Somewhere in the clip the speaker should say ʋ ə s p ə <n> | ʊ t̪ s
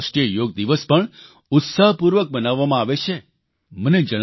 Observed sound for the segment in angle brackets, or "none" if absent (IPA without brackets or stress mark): ɳ